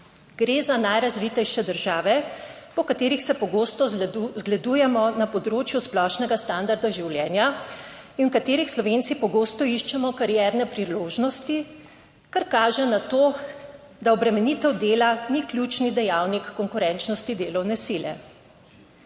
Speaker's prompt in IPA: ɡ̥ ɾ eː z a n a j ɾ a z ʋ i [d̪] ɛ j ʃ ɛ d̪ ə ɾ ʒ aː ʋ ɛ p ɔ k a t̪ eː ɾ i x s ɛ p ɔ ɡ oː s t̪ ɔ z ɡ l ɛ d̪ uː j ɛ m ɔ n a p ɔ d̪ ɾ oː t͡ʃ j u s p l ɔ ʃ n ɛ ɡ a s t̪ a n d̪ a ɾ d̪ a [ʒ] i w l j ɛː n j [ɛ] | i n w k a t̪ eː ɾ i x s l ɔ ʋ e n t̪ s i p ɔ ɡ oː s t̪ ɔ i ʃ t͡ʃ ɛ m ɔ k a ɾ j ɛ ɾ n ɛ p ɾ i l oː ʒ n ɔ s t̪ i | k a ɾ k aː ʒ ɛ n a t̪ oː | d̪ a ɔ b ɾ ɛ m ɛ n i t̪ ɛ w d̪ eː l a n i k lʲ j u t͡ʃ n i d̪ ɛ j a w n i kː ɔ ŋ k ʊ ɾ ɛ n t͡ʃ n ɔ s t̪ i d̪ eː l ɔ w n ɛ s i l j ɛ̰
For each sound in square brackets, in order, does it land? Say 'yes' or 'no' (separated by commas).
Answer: no, yes, no